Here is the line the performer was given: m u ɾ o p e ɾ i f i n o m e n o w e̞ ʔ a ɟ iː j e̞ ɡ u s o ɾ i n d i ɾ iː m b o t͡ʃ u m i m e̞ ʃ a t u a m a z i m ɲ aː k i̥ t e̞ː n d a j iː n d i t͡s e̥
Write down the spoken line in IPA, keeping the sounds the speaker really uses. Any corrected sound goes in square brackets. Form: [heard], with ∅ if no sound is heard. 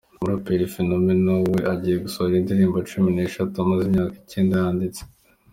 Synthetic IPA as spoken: m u ɾ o p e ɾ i f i n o m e n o w e̞ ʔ a ɟ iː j e̞ ɡ u s o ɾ i n d i ɾ iː m b o t͡ʃ u m i [n] e̞ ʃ a t u a m a z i m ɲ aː k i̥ [c] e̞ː n d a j [aː] n d i t͡s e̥